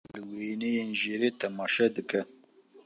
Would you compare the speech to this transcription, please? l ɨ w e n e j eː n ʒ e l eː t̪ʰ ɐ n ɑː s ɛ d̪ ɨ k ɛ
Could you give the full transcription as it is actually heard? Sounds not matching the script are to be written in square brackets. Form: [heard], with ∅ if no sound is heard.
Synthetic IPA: l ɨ w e n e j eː n ʒ e [ɾ] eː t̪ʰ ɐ [m] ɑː [ʃ] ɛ d̪ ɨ k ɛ